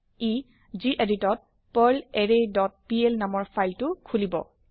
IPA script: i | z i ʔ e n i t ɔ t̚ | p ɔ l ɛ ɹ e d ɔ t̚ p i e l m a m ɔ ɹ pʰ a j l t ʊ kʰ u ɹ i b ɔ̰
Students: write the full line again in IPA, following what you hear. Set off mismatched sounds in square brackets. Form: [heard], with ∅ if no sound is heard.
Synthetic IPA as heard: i | z i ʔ e [d] i t ɔ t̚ | p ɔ l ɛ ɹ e d ɔ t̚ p i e l [n] a m ɔ ɹ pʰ a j l t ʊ kʰ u [l] i b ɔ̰